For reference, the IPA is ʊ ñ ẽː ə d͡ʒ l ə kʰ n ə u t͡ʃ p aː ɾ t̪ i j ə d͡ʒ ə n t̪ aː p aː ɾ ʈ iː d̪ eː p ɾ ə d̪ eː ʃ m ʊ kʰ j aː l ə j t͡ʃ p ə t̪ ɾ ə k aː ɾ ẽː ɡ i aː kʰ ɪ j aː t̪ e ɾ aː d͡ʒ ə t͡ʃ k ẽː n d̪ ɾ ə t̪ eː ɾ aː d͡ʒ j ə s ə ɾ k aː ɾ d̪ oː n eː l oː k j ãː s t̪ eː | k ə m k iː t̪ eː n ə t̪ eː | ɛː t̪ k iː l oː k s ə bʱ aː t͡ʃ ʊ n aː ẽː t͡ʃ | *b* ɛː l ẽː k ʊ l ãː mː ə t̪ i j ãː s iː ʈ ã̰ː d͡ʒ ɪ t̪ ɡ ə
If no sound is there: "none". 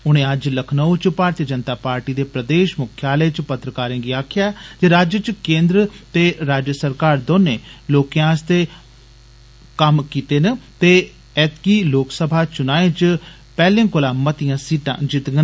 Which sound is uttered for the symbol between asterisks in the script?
p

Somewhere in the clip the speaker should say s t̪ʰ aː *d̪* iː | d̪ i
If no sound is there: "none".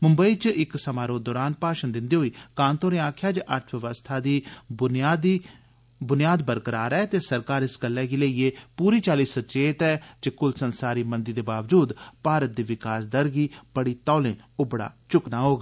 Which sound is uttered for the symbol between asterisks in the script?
d̪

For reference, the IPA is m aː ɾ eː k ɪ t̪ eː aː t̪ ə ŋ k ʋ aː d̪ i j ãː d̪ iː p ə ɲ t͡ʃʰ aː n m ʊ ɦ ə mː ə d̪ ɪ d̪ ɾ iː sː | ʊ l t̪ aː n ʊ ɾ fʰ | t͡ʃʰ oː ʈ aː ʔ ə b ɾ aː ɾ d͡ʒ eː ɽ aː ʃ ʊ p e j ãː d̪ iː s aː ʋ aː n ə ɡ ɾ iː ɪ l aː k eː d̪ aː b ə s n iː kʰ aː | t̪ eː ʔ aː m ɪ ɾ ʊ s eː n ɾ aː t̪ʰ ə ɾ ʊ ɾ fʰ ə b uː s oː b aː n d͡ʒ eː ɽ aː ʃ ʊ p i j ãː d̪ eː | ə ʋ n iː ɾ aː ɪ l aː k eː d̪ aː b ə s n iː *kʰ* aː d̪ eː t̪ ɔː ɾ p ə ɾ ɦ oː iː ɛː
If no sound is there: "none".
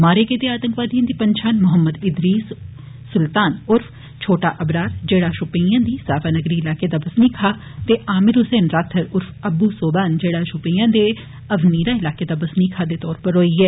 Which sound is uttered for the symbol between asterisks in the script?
kʰ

